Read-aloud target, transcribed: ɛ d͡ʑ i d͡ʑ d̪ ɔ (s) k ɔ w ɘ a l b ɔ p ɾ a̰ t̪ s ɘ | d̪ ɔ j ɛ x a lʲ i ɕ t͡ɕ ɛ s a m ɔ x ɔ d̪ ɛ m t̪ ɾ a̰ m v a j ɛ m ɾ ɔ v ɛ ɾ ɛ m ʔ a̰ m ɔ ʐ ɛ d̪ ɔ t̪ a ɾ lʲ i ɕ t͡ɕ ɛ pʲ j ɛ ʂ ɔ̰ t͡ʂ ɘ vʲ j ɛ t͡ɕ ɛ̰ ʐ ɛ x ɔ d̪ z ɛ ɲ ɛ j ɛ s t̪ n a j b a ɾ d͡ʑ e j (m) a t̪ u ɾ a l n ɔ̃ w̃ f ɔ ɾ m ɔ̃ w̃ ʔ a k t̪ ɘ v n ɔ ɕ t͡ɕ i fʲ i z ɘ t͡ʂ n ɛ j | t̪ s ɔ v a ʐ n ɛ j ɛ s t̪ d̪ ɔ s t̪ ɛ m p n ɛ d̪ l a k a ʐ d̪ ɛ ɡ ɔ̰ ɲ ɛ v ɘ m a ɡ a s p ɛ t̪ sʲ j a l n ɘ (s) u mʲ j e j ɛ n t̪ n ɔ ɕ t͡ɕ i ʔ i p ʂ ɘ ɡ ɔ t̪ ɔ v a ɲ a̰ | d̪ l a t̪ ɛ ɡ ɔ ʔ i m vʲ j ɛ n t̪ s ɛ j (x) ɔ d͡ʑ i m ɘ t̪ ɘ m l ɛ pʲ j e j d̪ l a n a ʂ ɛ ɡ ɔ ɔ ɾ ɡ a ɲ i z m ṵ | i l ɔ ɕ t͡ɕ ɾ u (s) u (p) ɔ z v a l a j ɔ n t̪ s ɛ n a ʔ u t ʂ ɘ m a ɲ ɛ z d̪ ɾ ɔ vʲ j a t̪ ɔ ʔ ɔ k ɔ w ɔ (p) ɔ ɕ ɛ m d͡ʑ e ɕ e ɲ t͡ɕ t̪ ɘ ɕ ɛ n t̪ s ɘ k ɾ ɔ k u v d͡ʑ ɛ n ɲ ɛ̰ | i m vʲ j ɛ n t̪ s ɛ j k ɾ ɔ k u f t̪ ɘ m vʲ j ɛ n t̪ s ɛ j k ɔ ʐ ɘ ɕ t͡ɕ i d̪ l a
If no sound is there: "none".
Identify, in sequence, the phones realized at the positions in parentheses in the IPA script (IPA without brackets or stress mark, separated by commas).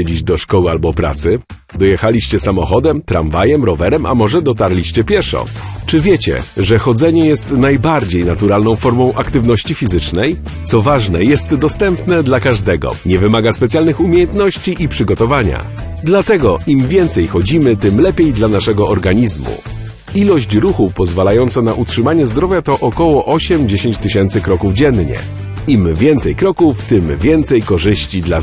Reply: ʂ, n, x, x, x, p, ʔ